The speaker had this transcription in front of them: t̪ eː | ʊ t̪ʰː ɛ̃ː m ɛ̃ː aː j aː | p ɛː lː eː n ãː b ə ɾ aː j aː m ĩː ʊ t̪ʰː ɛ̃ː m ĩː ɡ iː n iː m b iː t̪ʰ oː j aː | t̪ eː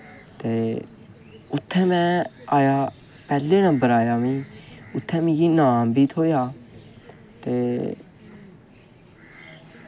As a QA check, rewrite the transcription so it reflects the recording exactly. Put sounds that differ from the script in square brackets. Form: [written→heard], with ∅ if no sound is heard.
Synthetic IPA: t̪ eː | ʊ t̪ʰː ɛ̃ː m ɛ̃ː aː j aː | p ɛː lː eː n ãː b ə ɾ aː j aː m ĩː ʊ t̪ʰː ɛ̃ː m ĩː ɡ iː n [iː→aː] m b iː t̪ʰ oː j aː | t̪ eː